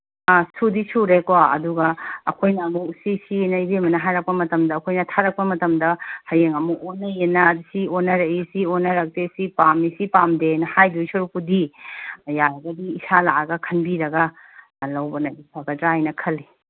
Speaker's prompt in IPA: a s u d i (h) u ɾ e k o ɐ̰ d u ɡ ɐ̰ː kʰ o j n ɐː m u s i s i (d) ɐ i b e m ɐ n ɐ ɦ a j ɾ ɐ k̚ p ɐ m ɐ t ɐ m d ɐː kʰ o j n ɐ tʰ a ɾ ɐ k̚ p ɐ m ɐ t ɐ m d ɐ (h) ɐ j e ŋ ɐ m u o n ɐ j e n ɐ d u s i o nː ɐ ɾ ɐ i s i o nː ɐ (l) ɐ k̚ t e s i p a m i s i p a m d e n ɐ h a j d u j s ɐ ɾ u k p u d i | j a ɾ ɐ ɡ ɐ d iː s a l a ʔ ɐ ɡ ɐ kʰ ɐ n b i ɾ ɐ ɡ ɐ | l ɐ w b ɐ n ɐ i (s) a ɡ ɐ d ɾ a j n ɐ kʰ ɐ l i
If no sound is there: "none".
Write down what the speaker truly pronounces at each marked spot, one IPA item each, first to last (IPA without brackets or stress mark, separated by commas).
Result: s, n, h, ɾ, s